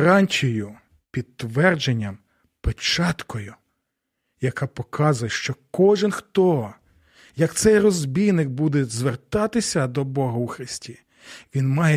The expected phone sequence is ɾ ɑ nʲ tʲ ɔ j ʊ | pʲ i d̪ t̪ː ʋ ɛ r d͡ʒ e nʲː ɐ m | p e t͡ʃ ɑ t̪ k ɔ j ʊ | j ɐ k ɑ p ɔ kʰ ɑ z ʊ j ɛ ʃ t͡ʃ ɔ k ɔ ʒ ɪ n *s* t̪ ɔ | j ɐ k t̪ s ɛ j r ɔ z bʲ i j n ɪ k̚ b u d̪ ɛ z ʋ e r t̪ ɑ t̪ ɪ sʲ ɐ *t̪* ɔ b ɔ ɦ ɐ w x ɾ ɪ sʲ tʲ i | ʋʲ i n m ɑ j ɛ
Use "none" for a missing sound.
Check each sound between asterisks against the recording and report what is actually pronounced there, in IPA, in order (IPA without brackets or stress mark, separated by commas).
x, d̪